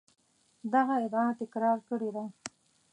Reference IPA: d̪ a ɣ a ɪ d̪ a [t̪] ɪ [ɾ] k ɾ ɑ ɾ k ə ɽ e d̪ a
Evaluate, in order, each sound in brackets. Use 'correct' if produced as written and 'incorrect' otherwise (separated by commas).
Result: correct, incorrect